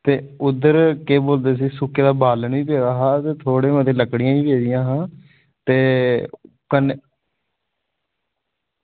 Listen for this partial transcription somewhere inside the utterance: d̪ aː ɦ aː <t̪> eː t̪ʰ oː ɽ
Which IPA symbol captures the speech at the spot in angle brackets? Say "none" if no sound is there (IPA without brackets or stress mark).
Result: t̪